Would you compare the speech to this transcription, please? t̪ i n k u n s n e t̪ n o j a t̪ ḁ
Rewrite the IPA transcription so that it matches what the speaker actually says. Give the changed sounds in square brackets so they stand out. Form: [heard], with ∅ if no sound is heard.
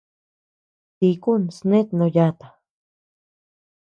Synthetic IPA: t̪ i [∅] k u n s n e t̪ n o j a t̪ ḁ